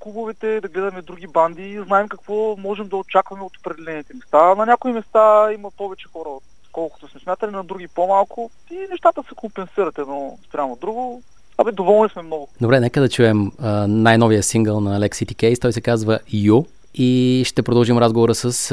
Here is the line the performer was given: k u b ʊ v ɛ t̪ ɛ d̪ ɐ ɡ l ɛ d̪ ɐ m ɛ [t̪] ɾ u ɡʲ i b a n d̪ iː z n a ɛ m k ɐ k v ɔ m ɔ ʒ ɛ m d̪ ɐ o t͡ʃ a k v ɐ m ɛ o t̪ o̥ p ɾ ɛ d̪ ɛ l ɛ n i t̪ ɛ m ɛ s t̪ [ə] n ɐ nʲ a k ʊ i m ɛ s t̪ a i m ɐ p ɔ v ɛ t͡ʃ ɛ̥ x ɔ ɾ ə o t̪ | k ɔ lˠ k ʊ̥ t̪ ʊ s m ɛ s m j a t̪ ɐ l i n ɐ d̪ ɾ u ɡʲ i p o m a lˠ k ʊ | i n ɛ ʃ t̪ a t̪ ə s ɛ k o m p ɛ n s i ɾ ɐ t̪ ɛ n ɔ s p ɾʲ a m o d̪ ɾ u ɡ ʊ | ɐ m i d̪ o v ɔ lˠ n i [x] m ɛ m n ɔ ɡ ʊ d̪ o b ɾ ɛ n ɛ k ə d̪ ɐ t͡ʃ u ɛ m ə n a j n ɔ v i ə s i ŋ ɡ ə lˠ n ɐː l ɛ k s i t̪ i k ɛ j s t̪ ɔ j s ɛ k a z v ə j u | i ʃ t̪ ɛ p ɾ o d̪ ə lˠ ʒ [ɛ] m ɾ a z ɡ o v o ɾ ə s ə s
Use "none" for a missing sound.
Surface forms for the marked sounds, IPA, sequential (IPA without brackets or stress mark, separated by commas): d̪, a, s, i